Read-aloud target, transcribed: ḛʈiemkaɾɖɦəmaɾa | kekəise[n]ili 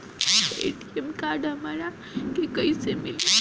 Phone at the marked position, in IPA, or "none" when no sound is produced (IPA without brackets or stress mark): m